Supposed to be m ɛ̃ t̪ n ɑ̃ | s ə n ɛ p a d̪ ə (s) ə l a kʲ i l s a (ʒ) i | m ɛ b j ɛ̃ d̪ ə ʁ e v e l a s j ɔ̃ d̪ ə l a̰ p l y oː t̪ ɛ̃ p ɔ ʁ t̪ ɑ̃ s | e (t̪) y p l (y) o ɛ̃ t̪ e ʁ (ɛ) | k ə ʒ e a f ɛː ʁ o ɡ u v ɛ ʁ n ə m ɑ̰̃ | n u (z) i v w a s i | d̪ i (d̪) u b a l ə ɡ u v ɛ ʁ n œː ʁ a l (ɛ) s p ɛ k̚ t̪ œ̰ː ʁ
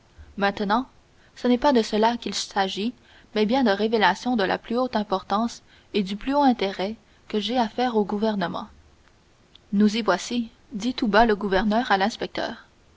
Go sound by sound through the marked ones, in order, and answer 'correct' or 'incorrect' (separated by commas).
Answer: correct, correct, incorrect, correct, correct, correct, incorrect, incorrect